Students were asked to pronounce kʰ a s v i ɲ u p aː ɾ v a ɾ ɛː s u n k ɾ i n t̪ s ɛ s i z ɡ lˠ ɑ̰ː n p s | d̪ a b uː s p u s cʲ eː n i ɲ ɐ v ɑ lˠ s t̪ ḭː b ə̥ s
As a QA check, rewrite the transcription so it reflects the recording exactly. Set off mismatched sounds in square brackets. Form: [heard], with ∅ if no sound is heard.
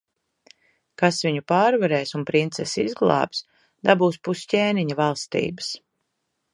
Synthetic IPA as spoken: [k] a s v i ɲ u p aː ɾ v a ɾ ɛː s u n [p] ɾ i n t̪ s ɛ s i z ɡ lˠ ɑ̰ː [∅] p s | d̪ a b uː s p u s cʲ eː n i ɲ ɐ v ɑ lˠ s t̪ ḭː b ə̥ s